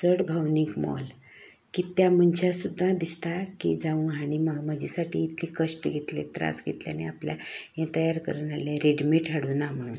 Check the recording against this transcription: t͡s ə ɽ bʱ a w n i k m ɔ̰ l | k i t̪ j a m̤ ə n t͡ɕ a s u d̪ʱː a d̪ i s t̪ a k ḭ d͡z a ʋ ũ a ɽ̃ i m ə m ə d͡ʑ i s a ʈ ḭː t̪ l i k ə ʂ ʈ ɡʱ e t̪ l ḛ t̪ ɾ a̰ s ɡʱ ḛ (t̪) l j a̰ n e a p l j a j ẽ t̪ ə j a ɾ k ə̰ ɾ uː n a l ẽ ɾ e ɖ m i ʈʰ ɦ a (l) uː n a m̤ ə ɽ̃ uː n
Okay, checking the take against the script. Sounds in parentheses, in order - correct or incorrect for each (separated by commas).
correct, incorrect